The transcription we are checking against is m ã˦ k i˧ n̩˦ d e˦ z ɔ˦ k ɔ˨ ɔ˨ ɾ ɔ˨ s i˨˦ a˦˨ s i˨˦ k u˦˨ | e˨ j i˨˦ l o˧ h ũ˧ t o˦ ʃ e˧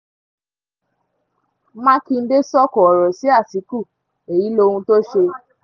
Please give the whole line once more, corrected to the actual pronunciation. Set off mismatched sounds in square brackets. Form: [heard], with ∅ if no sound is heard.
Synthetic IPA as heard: m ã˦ k i˧ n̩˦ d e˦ [s] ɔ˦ k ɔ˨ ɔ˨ ɾ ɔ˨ s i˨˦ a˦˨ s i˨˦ k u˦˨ | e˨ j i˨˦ l o˧ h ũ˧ t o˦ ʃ e˧